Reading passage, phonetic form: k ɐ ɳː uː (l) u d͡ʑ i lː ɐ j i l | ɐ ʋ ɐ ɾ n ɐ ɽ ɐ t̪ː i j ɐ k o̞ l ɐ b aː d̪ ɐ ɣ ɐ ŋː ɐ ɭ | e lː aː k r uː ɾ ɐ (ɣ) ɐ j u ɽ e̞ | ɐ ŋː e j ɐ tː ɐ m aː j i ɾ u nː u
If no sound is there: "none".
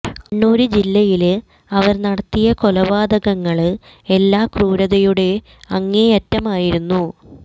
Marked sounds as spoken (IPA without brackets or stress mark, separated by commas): ɾ, ð